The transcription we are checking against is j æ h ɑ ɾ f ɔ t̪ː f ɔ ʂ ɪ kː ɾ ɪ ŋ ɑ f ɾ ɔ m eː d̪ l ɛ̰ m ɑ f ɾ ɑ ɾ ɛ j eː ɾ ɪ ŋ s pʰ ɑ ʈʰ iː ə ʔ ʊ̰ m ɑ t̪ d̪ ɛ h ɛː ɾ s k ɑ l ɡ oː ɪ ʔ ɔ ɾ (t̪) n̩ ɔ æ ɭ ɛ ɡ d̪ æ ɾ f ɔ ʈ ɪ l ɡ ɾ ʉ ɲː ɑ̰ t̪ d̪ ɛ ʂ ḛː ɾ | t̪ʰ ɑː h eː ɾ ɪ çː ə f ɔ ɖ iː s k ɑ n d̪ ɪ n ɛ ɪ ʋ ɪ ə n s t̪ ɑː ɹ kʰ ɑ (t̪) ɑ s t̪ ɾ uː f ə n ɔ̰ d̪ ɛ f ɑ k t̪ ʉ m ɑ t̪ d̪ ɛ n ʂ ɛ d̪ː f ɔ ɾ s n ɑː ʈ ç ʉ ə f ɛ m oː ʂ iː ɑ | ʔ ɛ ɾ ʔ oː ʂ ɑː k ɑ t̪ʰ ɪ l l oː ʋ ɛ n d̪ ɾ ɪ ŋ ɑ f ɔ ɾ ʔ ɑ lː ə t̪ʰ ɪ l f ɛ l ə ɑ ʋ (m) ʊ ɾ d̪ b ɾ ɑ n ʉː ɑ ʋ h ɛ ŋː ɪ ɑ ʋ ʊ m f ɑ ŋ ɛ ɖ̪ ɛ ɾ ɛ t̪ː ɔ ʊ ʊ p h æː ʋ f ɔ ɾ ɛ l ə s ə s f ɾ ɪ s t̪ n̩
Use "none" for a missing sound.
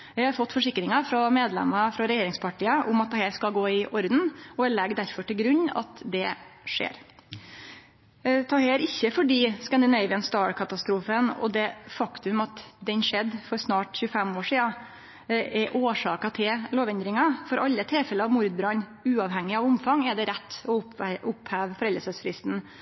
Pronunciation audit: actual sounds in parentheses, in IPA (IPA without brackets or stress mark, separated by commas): d̪, t̪, m